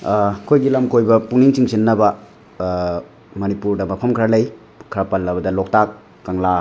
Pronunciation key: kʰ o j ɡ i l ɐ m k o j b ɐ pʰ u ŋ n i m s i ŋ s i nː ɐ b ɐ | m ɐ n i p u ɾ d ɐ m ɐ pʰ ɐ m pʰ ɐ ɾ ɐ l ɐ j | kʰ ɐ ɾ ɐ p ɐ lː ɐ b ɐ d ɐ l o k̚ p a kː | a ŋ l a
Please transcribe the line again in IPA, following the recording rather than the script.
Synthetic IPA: kʰ o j ɡ i l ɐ m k o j b ɐ p u ŋ n i ŋ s i ŋ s i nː ɐ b ɐ | m ɐ n i p u ɾ d ɐ m ɐ pʰ ɐ m kʰ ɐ ɾ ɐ l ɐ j | kʰ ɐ ɾ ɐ p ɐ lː ɐ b ɐ d ɐ l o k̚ t a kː | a ŋ l a